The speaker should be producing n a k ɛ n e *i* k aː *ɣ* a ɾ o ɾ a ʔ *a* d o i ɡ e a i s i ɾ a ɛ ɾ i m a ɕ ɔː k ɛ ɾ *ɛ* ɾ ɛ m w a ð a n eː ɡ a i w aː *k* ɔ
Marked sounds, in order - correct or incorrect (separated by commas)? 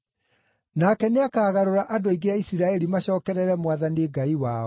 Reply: incorrect, correct, correct, correct, incorrect